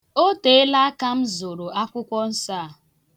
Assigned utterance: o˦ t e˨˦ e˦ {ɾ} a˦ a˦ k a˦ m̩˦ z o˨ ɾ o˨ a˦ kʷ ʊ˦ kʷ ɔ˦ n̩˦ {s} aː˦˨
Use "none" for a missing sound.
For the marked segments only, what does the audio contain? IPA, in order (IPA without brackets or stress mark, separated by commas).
l, s